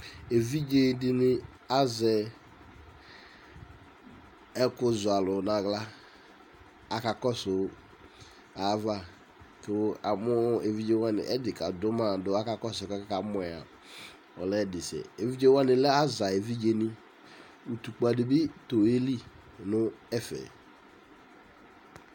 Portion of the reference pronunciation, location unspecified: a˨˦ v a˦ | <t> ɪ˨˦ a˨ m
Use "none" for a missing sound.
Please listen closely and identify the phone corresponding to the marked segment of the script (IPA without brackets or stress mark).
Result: k